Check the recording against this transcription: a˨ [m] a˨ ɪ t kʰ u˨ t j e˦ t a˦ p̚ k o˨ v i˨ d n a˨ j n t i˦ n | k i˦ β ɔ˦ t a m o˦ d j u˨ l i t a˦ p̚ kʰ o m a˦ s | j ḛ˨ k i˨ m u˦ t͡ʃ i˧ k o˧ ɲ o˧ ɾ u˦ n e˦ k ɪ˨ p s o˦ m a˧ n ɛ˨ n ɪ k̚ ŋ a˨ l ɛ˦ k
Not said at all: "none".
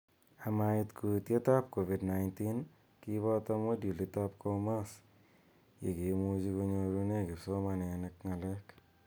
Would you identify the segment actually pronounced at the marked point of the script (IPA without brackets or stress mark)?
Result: m